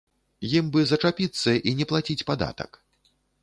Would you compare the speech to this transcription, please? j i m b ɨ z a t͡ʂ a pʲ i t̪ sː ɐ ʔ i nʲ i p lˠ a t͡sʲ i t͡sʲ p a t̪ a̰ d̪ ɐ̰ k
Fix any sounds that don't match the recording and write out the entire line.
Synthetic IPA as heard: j i m b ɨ z ɐ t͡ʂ a pʲ i t̪ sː ɐ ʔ i nʲ ɛ p lˠ a t͡sʲ i t͡sʲ p a d̪ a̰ t̪ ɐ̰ k

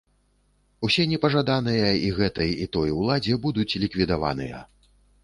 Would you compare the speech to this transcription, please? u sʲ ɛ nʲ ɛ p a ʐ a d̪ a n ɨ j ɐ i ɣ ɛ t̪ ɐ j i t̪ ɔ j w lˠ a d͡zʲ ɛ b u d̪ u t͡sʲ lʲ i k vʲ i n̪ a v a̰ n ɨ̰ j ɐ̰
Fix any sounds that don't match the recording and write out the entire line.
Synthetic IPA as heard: u sʲ ɛ nʲ ɛ p ɐ ʐ a d̪ a n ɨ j ɐ i ɣ ɛ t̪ ɐ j i t̪ ɔ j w lˠ a d͡zʲ ɛ b u d̪ u t͡sʲ lʲ i k vʲ i d̪ a v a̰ n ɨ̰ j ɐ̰

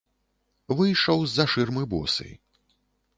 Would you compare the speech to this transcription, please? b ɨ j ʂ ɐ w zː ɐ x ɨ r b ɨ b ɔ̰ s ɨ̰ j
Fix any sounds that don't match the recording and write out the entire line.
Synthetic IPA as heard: v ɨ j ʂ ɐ w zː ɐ ʂ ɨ r m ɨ b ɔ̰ s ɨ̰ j

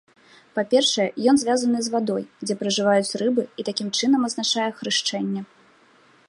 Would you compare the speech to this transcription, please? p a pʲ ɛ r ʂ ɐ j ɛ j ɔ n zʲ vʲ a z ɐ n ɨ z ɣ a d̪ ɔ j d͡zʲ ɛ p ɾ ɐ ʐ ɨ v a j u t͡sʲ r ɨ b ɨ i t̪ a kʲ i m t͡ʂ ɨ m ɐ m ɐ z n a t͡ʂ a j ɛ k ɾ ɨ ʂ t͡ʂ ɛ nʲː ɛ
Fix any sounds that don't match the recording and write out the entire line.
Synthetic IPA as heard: p a pʲ ɛ r ʂ ɐ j ɛ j ɔ n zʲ vʲ a z ɐ n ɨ z v a d̪ ɔ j d͡zʲ ɛ p ɾ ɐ ʐ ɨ v a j u t͡sʲ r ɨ b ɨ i t̪ a kʲ i m t͡ʂ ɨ n ɐ m ɐ z n a t͡ʂ a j ɛ x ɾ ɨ ʂ t͡ʂ ɛ nʲː ɛ

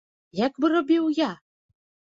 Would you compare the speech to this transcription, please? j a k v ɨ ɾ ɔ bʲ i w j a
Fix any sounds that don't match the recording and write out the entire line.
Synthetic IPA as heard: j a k b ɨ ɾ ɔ bʲ i w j a

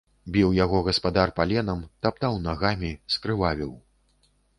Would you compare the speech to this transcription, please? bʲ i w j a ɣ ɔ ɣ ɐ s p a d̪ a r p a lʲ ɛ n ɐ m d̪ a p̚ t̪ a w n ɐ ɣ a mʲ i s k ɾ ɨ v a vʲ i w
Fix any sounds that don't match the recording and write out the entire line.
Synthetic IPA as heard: bʲ i w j a ɣ ɔ ɣ ɐ s p a d̪ a r p a lʲ ɛ n ɐ m t̪ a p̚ t̪ a w n a ɣ a mʲ i s k ɾ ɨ v a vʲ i w

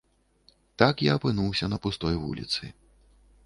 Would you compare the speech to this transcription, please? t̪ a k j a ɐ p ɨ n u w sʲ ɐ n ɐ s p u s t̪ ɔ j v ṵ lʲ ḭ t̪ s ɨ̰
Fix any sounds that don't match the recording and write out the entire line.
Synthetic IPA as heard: t̪ a k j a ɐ p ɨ n u w sʲ ɐ n ɐ p u s t̪ ɔ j v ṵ lʲ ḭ t̪ s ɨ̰

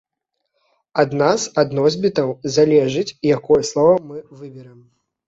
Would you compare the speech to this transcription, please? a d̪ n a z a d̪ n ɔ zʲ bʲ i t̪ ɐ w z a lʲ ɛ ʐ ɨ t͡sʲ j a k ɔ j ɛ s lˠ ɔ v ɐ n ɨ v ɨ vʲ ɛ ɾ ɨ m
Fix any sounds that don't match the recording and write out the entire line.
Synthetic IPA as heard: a d̪ n a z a d̪ n ɔ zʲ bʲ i t̪ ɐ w z a lʲ ɛ ʐ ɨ t͡sʲ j a k ɔ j ɛ s lˠ ɔ v ɐ m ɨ v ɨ bʲ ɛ ɾ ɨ m

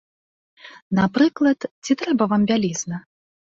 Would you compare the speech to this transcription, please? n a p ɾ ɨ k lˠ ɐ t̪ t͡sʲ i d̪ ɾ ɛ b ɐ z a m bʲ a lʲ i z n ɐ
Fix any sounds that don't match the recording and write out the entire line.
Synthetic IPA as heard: n a p ɾ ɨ k lˠ ɐ t̪ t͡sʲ i t̪ ɾ ɛ b ɐ v a m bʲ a lʲ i z n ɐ

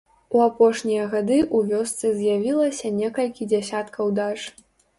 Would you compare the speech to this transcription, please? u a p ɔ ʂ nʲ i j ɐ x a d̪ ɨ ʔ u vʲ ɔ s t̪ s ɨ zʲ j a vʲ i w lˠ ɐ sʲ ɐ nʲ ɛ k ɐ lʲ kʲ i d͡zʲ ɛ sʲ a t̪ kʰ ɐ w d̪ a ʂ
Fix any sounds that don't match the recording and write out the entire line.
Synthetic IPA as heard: u a p ɔ ʂ nʲ i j ɐ ɣ a d̪ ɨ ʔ u vʲ ɔ s t̪ s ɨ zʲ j a vʲ i lˠ ɐ sʲ ɐ nʲ ɛ k ɐ lʲ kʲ i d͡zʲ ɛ sʲ a t̪ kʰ ɐ w d̪ a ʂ

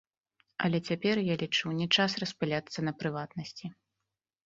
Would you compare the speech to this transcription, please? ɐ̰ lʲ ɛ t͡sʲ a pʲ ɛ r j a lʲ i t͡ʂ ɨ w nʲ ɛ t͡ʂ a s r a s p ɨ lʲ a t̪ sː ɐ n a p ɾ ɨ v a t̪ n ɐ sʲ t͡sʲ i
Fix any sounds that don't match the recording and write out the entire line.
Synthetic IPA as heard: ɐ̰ lʲ ɛ t͡sʲ a pʲ ɛ r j a lʲ i t͡ʂ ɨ w nʲ ɛ t͡ʂ a s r ɐ s p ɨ lʲ a t̪ sː ɐ n ɐ p ɾ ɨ v a t̪ n ɐ sʲ t͡sʲ i

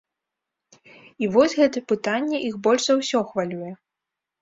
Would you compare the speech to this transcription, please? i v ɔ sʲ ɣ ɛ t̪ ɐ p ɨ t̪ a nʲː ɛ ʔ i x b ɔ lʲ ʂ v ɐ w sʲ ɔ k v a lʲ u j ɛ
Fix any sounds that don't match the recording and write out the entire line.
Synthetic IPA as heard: i v ɔ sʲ ɣ ɛ t̪ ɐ p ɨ t̪ a nʲː ɛ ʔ i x b ɔ lʲ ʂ z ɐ w sʲ ɔ x v a lʲ u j ɛ

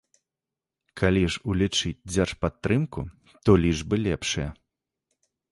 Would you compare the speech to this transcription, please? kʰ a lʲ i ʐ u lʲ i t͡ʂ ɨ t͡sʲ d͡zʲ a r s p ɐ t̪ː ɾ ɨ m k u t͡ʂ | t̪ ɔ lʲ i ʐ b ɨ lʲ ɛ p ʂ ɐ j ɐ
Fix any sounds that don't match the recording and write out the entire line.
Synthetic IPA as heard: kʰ a lʲ i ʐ u lʲ i t͡ʂ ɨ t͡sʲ d͡zʲ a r ʂ p a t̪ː ɾ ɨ m k u | t̪ ɔ lʲ i ʐ b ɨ lʲ ɛ p ʂ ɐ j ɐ

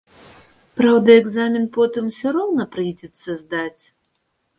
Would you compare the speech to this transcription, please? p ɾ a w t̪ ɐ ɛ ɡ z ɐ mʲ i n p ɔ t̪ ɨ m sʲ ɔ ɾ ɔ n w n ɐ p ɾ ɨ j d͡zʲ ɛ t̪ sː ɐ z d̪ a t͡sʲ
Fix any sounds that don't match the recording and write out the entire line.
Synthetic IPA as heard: p ɾ a w d̪ ɐ ɛ ɡ z a mʲ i n p ɔ t̪ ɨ m sʲ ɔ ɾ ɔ w n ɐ p ɾ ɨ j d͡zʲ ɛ t̪ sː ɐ z d̪ a t͡sʲ

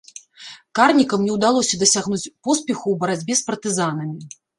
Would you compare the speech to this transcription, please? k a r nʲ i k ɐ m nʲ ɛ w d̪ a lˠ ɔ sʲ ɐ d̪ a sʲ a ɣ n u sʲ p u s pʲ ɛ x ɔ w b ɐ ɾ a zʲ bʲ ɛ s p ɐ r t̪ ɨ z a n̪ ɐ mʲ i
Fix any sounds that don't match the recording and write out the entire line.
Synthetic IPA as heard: k a r nʲ i k ɐ m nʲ ɛ w d̪ a lˠ ɔ sʲ ɐ d̪ ɐ sʲ a ɣ n u t͡sʲ p ɔ s pʲ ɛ x u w b ɐ ɾ a d͡zʲ bʲ ɛ s p ɐ r t̪ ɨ z a n̪ ɐ mʲ i

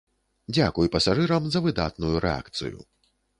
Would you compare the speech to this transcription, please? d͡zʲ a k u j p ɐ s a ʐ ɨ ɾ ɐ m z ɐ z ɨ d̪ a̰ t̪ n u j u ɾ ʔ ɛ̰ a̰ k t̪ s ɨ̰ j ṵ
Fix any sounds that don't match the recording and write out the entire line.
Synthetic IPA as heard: d͡zʲ a k u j p ɐ s a ʐ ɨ ɾ ɐ m z ɐ v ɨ d̪ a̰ t̪ n u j u ɾ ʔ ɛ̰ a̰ k t̪ s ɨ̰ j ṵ

